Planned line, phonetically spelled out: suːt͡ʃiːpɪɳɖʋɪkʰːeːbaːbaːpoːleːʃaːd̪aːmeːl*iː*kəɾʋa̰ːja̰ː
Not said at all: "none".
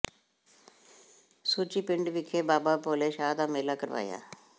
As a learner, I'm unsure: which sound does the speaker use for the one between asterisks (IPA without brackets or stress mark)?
aː